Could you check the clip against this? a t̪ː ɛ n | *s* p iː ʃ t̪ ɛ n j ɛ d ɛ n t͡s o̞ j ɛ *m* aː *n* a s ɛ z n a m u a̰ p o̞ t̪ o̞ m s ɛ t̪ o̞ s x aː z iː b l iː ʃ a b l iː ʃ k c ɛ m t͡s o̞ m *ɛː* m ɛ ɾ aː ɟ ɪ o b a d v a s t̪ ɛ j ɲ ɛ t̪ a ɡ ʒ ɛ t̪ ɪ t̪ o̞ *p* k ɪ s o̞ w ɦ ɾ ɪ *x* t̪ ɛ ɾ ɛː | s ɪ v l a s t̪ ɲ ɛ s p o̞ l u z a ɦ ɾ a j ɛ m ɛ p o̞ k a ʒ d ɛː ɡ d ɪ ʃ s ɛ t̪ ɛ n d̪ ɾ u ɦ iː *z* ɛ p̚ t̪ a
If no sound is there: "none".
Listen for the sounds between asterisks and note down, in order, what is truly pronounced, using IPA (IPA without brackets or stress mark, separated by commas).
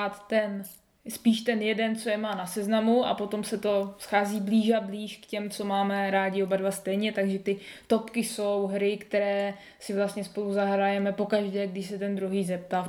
s, m, n, aː, p, k, z